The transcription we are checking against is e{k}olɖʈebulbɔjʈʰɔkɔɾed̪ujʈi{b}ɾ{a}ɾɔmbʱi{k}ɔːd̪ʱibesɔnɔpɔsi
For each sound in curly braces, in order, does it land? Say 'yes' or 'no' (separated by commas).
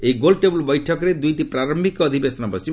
no, no, yes, yes